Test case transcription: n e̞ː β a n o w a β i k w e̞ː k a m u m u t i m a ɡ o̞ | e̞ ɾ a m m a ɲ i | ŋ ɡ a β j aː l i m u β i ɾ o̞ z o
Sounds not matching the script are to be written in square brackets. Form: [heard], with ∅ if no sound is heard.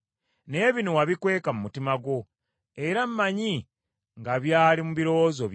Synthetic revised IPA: n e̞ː β [i] n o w a β i k w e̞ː k a m u m u t i m a ɡ o̞ | e̞ ɾ a m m a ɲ i | ŋ ɡ a β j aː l i m u β i ɾ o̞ z o